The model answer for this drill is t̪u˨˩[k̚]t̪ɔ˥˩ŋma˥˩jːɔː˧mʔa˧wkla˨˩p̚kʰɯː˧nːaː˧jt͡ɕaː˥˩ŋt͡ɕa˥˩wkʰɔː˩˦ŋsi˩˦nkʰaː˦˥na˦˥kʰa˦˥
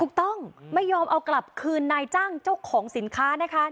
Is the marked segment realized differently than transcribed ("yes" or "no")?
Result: no